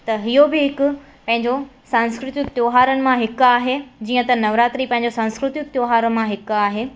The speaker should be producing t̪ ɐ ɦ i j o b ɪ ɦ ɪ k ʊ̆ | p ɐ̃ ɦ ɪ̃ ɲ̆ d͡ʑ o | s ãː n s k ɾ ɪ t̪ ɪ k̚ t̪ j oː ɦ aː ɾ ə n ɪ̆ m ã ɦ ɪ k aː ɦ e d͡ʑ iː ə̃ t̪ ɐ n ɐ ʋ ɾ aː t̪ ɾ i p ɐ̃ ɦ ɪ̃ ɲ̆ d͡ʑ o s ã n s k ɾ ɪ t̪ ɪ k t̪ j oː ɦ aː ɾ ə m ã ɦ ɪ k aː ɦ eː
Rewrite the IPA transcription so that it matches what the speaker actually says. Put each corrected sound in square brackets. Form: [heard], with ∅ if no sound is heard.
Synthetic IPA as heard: t̪ ɐ ɦ i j o b ɪ ɦ ɪ k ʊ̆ | p ɐ̃ ɦ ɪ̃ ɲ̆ d͡ʑ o | s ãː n s k ɾ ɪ t̪ ɪ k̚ t̪ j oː ɦ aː ɾ ə n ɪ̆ m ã ɦ ɪ k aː ɦ e d͡ʑ iː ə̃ t̪ ɐ n ɐ ʋ ɾ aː t̪ ɾ i p ɐ̃ ɦ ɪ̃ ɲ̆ d͡ʑ o s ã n s k ɾ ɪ t̪ ɪ k t̪ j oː ɦ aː ɾ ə m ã ɦ ɪ k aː ɦ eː